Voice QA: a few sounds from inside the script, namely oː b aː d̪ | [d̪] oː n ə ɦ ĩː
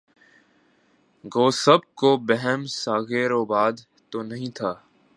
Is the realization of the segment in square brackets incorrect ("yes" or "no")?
yes